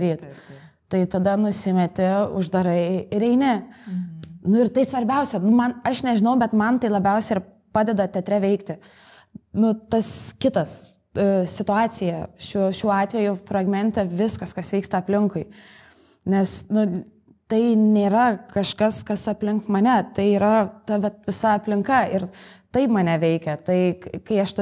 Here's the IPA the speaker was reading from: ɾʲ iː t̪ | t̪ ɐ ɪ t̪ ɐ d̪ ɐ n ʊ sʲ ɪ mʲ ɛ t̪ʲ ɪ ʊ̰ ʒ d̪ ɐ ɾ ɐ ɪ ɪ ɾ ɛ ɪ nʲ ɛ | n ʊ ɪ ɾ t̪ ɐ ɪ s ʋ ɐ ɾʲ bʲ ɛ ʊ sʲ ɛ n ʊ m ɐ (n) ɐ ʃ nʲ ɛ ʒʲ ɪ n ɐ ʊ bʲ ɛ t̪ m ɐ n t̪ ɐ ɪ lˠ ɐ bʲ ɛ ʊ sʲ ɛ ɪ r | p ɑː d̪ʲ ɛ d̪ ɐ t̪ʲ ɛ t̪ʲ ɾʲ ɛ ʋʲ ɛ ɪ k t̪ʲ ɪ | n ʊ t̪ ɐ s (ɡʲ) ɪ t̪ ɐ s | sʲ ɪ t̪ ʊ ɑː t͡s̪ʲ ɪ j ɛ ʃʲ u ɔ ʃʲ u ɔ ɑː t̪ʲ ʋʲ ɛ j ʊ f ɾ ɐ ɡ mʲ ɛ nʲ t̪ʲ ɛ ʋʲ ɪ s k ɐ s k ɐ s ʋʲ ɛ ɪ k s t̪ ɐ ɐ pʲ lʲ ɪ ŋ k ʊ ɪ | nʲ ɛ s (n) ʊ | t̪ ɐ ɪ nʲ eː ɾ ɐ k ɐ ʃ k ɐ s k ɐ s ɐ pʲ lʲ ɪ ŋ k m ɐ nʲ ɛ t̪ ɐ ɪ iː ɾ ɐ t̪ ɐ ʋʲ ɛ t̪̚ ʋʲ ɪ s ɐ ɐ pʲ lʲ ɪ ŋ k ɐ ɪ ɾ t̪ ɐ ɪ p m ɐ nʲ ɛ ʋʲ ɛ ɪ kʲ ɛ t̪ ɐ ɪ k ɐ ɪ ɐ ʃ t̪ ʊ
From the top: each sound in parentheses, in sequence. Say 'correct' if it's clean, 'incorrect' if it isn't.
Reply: correct, incorrect, correct

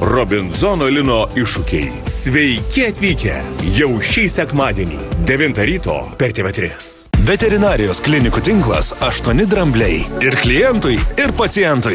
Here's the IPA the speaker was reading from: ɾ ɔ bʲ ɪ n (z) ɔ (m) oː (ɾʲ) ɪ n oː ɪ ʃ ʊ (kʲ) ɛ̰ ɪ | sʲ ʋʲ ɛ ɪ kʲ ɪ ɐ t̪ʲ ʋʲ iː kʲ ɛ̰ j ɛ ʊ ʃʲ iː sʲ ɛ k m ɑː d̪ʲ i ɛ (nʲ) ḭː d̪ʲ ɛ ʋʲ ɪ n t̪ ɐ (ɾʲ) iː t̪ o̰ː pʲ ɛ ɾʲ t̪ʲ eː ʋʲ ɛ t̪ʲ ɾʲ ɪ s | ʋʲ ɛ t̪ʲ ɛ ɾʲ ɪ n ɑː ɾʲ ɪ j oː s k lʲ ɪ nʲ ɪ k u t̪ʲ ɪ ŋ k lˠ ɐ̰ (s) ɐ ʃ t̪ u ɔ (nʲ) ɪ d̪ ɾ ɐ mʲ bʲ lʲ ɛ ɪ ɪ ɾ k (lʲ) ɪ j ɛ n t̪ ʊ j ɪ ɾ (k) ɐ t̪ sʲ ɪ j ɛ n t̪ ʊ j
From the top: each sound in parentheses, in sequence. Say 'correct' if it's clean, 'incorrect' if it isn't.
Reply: correct, incorrect, incorrect, correct, correct, correct, correct, correct, correct, incorrect

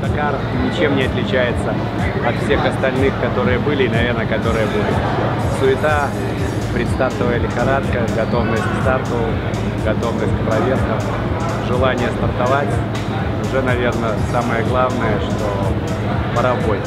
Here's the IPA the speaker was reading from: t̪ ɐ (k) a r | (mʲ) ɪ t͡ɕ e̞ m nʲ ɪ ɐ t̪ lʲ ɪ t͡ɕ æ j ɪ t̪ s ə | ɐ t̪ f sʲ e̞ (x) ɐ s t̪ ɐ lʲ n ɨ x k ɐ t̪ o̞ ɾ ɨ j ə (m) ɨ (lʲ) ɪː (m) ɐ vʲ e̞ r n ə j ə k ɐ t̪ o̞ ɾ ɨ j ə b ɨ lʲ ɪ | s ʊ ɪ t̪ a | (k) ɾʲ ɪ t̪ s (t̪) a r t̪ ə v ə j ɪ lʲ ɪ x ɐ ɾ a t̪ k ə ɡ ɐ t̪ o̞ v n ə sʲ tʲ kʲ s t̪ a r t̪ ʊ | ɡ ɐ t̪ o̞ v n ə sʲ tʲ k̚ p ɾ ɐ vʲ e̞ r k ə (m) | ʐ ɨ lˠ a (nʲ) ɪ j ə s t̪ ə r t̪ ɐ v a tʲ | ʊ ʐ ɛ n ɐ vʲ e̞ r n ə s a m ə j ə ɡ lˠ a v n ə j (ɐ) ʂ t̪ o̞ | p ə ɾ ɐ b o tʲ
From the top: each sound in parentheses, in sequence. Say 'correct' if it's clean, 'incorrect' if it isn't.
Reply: correct, incorrect, correct, incorrect, correct, incorrect, incorrect, correct, correct, correct, incorrect

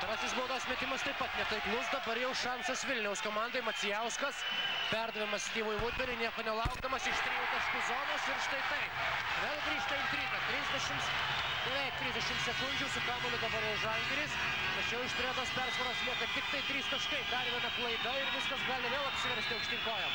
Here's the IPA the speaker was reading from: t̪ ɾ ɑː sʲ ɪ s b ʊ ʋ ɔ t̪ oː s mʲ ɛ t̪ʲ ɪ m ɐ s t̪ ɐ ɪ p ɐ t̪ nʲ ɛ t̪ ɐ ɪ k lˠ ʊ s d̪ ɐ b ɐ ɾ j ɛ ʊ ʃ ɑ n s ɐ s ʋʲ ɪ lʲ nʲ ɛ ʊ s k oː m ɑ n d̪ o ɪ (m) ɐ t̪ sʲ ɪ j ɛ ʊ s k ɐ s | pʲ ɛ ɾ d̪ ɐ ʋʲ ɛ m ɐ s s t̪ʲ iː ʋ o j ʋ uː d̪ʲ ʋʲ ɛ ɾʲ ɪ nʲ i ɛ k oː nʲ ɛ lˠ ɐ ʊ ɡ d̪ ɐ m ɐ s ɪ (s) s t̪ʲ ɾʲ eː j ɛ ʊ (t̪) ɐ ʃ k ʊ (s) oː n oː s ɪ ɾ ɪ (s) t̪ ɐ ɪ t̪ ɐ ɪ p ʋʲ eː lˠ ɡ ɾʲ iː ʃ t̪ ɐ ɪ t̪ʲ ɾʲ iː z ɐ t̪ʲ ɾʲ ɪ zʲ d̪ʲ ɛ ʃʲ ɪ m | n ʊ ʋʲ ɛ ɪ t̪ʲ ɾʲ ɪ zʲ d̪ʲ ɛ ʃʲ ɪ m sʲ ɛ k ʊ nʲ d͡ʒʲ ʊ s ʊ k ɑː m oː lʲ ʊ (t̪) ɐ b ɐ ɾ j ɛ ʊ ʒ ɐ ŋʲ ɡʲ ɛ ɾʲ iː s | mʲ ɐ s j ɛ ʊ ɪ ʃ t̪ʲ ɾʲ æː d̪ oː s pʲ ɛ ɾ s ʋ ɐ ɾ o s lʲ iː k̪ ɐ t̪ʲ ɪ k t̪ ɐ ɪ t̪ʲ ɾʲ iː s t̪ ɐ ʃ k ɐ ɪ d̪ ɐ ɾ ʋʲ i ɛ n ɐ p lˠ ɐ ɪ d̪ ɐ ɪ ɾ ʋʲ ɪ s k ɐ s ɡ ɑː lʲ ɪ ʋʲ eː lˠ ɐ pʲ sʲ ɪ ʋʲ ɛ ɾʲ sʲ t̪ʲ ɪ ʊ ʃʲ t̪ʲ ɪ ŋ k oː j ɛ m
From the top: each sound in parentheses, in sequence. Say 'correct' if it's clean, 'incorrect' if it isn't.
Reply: correct, incorrect, correct, incorrect, incorrect, incorrect

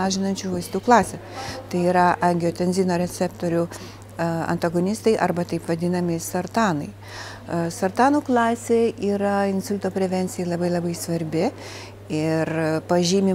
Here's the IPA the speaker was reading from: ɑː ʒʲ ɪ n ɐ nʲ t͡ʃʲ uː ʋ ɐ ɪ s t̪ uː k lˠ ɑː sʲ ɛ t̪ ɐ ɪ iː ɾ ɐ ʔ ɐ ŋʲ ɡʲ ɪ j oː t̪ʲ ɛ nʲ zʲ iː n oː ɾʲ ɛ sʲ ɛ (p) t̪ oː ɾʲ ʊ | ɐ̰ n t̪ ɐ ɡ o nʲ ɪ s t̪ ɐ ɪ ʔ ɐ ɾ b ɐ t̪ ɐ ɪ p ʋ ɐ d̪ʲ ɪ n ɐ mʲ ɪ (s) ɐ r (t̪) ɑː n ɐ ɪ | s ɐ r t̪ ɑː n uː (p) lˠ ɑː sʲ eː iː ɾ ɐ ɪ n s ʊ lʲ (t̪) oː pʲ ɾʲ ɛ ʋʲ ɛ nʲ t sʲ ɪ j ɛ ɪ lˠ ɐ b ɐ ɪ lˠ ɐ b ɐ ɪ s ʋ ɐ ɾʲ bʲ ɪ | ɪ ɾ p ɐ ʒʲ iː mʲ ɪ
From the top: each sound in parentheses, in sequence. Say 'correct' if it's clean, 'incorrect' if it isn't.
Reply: correct, correct, correct, incorrect, correct

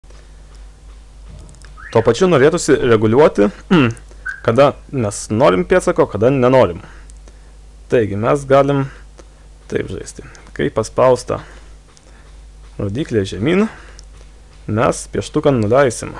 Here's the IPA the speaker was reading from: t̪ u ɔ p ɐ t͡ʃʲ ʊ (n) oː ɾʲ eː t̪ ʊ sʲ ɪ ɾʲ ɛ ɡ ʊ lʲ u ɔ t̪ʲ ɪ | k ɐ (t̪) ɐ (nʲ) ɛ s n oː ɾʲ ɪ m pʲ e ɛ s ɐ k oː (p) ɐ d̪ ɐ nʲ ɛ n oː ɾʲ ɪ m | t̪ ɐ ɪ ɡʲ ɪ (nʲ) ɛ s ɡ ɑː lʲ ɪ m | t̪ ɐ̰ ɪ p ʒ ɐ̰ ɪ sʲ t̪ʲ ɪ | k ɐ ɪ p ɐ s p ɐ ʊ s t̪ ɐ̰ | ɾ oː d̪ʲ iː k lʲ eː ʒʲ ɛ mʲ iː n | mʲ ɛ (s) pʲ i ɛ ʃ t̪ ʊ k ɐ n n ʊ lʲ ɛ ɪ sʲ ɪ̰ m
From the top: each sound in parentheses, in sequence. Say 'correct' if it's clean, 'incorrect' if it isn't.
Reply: correct, incorrect, incorrect, incorrect, incorrect, correct

